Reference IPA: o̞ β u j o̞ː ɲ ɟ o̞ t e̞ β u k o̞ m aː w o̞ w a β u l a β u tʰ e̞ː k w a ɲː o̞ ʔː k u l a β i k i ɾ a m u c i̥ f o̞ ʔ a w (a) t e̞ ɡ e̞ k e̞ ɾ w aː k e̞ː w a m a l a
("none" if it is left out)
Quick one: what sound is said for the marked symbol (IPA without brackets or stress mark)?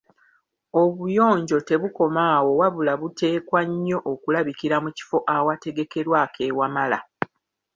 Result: a